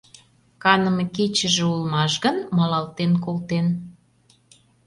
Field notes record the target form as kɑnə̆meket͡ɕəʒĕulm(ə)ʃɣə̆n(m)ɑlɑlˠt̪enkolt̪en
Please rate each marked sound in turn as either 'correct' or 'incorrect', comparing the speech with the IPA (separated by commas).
incorrect, correct